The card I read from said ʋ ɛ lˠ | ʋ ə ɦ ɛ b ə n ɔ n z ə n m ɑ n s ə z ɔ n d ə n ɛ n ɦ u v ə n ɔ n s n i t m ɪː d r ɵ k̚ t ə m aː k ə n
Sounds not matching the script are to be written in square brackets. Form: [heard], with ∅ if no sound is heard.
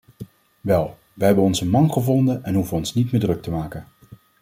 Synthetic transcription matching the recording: ʋ ɛ lˠ | ʋ ə ɦ ɛ b ə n ɔ n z ə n m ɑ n [χ] ə [v] ɔ n d ə n ɛ n ɦ u v ə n ɔ n s n i t m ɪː d r ɵ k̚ t ə m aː k ə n